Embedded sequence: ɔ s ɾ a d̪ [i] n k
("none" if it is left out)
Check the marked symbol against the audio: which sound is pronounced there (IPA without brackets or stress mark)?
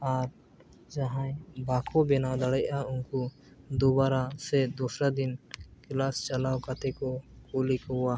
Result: i